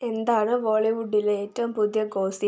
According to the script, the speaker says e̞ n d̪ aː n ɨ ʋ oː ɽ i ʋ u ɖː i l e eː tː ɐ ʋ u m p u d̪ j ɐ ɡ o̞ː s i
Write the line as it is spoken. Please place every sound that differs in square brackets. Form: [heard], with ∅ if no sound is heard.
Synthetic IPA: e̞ n d̪ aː [ɳ] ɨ ʋ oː [ɭ] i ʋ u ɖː i l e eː tː ɐ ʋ u m p u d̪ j ɐ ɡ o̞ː s i